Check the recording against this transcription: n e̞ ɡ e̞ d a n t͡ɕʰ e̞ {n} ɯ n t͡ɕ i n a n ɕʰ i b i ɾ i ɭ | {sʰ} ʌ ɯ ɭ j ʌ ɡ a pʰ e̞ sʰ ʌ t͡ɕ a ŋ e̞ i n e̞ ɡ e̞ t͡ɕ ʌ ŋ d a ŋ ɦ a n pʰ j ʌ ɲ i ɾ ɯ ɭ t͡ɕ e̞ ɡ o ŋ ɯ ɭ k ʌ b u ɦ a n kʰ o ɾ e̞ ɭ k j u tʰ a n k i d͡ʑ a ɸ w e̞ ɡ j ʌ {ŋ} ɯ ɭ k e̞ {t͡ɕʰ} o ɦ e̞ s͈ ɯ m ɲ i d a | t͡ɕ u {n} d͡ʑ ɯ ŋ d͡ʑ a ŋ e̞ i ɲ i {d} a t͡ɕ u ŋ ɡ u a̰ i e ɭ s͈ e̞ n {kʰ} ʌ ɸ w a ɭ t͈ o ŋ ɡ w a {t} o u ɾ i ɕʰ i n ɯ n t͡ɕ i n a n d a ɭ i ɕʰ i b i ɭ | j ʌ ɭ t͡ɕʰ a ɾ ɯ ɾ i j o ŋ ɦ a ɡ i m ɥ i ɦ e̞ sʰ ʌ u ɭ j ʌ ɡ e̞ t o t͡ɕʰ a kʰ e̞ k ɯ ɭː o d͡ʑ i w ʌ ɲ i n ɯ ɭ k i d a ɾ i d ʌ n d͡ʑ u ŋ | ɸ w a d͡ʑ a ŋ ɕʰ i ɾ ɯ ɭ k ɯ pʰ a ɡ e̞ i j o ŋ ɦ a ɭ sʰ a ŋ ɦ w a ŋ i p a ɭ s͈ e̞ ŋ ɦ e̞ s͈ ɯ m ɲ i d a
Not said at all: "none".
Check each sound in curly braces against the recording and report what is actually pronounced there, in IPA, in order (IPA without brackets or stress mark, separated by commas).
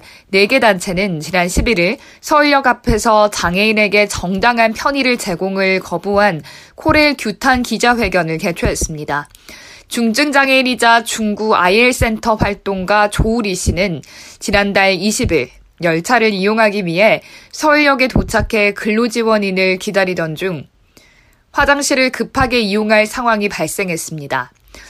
n, sʰ, n, t͡ɕʰ, ŋ, d͡ʑ, tʰ, t͡ɕ